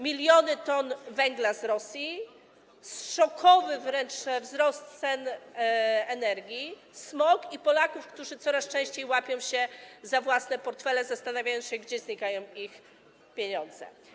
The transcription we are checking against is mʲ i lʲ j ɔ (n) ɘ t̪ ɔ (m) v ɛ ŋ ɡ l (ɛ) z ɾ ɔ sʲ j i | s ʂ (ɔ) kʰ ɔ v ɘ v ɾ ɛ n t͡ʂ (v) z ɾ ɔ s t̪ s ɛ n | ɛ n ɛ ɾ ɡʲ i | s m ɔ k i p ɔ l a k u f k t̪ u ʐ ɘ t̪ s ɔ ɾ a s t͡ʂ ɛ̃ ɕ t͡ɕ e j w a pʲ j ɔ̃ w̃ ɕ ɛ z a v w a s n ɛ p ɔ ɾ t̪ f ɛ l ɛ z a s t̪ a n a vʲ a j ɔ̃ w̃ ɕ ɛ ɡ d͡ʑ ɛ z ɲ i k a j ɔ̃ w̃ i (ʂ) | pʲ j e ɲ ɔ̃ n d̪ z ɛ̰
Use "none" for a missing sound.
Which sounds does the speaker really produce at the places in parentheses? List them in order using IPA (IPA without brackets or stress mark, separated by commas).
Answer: n, n, a, ɔ, v, x